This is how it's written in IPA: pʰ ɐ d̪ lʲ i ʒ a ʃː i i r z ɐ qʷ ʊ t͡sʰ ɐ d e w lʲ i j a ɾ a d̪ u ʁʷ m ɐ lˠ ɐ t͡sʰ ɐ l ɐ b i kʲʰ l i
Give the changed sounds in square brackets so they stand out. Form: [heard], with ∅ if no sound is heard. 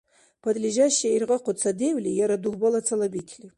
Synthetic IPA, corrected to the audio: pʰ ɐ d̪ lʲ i ʒ a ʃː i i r [ʁ] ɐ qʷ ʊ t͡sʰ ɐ d e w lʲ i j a ɾ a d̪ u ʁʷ [b] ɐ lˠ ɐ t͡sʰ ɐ l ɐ b i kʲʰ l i